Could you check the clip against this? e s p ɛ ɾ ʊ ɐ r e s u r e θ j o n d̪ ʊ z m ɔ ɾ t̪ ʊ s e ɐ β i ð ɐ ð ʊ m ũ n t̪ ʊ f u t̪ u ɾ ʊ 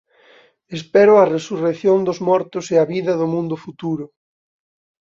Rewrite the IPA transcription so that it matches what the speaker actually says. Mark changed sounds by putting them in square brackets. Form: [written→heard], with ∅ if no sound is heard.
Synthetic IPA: e s p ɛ ɾ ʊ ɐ r e s u r e θ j o n d̪ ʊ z m ɔ ɾ t̪ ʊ s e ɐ β i ð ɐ ð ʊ m ũ n [t̪→d̪] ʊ f u t̪ u ɾ ʊ